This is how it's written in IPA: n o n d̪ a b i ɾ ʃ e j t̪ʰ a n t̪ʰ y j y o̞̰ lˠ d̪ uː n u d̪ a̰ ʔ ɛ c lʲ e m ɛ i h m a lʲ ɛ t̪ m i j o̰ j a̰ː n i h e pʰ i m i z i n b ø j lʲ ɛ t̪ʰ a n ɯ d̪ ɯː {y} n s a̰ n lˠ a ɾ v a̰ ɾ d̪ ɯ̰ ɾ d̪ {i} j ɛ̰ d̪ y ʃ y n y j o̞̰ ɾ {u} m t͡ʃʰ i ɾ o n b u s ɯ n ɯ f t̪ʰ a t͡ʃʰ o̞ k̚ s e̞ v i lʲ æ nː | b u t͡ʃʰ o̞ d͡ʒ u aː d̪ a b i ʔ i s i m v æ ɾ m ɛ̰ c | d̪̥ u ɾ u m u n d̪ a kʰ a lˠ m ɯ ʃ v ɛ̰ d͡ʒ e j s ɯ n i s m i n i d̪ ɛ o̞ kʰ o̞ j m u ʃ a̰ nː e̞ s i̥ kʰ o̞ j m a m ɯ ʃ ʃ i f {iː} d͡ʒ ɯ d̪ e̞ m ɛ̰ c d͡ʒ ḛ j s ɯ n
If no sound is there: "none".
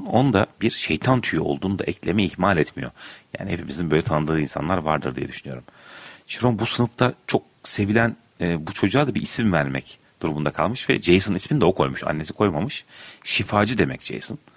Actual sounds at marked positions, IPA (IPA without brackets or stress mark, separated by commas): i, i, u, aː